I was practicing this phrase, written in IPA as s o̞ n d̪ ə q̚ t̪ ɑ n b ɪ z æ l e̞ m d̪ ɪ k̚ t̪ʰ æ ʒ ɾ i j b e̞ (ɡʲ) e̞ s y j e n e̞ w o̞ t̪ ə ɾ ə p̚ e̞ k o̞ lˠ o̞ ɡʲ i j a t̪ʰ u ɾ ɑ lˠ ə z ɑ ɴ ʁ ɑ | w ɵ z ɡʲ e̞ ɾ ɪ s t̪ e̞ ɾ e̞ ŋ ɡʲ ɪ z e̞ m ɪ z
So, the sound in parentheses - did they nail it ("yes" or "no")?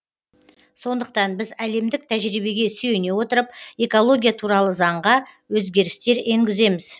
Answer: yes